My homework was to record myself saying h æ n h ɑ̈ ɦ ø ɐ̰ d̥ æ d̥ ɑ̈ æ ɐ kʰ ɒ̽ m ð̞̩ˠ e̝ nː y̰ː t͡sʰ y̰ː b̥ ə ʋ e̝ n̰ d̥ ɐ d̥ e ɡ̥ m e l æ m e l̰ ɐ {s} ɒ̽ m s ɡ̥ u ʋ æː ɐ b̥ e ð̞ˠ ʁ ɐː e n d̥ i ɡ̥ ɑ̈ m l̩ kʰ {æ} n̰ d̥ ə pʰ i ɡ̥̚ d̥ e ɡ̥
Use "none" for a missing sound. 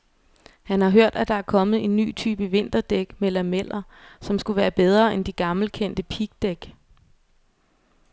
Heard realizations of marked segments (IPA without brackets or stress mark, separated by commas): s, e